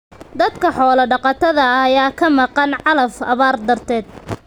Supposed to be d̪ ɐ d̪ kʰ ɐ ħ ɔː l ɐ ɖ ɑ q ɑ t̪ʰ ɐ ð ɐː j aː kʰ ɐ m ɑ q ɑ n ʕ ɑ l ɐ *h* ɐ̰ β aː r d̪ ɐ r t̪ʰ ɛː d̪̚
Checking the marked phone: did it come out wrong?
yes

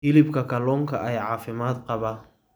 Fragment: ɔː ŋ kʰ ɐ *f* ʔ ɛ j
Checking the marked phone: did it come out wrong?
yes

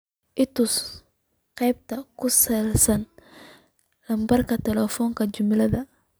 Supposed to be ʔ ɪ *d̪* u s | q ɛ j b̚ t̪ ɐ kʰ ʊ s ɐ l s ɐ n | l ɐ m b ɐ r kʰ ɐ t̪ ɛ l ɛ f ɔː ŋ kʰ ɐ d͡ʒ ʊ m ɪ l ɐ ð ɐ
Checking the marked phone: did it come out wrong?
yes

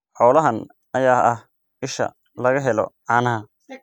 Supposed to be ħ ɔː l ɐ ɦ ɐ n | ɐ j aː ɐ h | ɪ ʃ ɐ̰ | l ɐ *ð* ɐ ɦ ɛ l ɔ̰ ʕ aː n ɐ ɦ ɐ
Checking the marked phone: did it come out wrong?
yes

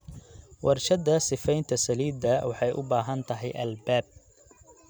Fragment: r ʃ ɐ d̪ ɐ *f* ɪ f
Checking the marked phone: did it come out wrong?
yes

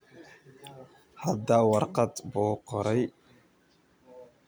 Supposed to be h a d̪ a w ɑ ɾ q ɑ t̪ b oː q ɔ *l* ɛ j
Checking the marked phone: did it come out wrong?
yes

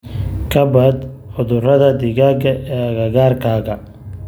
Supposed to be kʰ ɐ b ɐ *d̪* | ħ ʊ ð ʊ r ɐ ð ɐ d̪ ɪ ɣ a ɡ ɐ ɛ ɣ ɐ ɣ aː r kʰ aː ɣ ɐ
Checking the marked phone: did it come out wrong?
no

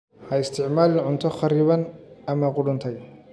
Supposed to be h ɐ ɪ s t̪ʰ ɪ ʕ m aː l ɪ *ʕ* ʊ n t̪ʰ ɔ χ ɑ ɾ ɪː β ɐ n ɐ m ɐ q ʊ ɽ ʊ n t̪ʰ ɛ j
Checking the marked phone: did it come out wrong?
no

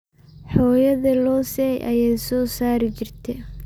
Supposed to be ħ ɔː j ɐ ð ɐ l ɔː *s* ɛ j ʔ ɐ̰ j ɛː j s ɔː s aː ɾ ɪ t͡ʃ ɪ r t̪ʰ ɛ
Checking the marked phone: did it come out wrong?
no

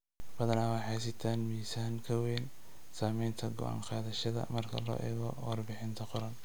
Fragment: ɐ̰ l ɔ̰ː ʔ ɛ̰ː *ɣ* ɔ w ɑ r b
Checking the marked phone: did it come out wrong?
no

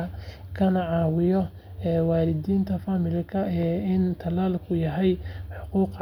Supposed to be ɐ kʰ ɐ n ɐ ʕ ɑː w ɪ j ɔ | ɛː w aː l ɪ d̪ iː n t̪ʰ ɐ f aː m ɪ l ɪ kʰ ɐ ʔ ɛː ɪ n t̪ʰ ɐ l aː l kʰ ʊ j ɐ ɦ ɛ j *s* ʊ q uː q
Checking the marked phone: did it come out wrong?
yes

